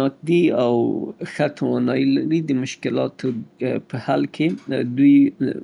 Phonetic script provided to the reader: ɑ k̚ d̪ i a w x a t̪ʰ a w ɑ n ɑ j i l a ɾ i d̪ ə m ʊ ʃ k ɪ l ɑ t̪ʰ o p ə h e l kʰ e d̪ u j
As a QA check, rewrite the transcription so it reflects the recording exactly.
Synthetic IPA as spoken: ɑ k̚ d̪ i a w x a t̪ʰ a w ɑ n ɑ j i l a ɾ i d̪ ə m ʊ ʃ k ɪ l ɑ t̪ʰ o p ə h a l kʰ e d̪ u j